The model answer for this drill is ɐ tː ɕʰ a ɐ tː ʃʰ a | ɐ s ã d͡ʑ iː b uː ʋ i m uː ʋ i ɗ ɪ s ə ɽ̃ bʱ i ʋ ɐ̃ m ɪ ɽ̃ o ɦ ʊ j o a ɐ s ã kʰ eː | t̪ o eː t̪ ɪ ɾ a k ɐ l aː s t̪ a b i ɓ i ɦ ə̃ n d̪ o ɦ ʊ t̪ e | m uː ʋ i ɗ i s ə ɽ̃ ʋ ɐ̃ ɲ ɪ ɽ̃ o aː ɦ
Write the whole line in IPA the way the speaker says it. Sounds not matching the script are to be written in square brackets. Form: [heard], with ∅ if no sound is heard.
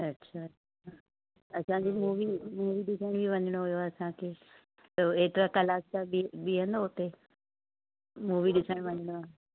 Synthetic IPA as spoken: ɐ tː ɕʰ a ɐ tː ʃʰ a | ɐ s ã d͡ʑ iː [m] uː ʋ i m uː ʋ i ɗ ɪ s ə ɽ̃ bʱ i ʋ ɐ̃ [ɲ] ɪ ɽ̃ o ɦ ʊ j o a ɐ s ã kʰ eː | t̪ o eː t̪ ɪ ɾ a k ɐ l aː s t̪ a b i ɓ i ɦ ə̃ n d̪ o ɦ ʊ t̪ e | m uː ʋ i ɗ [ɪ] s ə ɽ̃ ʋ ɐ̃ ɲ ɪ ɽ̃ o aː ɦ

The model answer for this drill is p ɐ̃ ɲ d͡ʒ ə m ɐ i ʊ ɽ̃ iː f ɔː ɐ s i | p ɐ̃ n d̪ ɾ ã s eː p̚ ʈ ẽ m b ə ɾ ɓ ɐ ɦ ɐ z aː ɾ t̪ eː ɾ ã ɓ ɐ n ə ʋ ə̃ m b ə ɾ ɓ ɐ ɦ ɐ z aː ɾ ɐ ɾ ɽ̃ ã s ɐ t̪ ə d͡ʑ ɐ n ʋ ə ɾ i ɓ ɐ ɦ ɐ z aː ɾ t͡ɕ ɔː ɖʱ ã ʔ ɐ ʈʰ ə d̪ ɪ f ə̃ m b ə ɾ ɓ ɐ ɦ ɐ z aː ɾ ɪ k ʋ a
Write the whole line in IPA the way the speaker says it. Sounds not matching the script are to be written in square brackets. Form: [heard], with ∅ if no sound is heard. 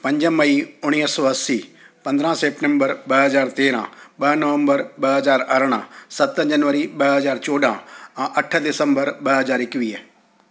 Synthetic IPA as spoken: p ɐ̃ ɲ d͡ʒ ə m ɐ i ʊ ɽ̃ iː [s] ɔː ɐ s i | p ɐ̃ n d̪ ɾ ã s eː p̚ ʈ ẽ m b ə ɾ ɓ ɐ ɦ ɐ z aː ɾ t̪ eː ɾ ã ɓ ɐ n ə ʋ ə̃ m b ə ɾ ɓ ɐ ɦ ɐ z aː ɾ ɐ ɾ ɽ̃ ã s ɐ t̪ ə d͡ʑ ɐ n ʋ ə ɾ i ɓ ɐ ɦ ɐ z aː ɾ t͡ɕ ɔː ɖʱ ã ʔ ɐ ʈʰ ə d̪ ɪ [s] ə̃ m b ə ɾ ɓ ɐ ɦ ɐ z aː ɾ ɪ k ʋ [i]

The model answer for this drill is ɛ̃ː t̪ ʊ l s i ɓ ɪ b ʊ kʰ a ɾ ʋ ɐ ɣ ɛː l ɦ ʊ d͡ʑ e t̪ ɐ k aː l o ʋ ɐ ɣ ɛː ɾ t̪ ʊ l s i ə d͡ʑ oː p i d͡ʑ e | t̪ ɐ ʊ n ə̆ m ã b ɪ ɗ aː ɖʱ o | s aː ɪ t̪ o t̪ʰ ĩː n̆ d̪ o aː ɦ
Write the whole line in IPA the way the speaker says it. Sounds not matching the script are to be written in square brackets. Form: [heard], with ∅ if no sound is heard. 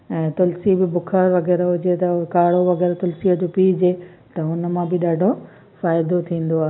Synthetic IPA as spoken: ɛ̃ː t̪ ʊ l s i [b] ɪ b ʊ kʰ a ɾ ʋ ɐ ɣ ɛː [ɾ] ɦ ʊ d͡ʑ e t̪ ɐ k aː [ɽ] o ʋ ɐ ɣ ɛː ɾ t̪ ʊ l s i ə d͡ʑ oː p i d͡ʑ e | t̪ ɐ ʊ n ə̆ m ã b ɪ ɗ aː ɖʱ o | [f] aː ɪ [d̪] o t̪ʰ ĩː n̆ d̪ o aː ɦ

